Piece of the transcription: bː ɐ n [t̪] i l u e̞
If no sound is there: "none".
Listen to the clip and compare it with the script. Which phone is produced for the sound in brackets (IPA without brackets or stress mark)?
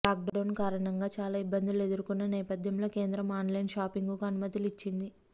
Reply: d̪